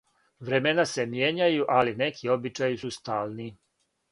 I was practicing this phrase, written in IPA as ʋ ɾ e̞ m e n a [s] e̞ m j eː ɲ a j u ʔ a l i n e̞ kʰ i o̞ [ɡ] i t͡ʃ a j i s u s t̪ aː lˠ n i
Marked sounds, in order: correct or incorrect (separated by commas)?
correct, incorrect